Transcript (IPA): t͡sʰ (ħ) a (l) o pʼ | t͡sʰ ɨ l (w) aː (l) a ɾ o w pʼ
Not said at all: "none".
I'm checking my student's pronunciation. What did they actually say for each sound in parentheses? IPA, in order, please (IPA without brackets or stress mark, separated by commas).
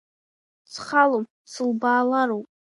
χ, l, b, l